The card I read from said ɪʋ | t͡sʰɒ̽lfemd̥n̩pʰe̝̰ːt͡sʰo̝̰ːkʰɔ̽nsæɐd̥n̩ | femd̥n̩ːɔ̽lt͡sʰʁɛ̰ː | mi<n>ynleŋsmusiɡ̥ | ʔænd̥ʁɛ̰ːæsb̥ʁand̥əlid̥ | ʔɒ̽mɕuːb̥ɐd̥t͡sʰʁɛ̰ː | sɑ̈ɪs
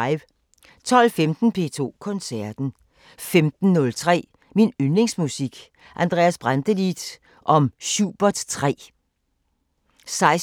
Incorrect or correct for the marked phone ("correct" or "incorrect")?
correct